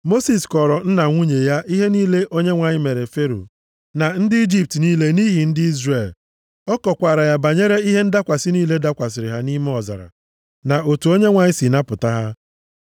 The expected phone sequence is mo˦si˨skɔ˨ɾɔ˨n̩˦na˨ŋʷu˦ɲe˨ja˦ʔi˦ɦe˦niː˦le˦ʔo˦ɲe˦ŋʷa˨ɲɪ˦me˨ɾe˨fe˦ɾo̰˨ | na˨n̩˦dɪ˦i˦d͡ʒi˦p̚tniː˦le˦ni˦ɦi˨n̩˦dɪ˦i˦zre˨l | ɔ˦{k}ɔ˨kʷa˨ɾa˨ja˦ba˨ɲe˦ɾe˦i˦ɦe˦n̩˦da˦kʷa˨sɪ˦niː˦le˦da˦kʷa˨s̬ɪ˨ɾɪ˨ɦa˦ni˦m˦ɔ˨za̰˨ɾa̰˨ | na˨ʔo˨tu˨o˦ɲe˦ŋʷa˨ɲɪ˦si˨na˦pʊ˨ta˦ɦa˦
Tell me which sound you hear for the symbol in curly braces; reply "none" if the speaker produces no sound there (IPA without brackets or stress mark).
k